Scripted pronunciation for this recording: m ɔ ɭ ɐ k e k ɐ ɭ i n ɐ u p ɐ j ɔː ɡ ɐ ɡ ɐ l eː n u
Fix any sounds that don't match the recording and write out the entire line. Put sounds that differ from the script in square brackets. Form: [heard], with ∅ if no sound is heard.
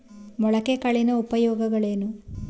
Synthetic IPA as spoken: m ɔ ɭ ɐ k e k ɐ ɭ i n ɐ u p ɐ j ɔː ɡ ɐ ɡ ɐ [ɭ] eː n u